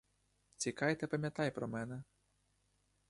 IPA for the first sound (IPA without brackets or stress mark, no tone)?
t͡sʲ